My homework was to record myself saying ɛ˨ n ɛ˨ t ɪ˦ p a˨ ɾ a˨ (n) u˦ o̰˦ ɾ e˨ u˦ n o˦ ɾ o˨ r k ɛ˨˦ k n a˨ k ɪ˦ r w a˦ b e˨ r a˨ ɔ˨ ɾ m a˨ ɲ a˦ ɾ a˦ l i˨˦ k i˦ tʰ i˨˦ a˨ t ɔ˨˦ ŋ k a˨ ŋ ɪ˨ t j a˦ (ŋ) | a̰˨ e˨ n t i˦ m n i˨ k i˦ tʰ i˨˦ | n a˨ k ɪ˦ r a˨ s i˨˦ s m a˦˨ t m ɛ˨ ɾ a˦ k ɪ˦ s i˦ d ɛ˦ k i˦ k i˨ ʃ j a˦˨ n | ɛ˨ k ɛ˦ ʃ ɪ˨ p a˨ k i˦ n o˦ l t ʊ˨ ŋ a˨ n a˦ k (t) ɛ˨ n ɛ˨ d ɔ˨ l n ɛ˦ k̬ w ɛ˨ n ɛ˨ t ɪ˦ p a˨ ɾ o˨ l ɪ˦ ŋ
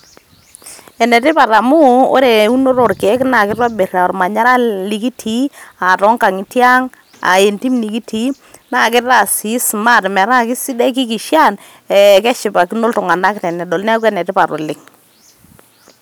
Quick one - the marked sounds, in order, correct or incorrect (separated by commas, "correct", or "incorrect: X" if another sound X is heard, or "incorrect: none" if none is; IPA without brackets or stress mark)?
incorrect: m, correct, correct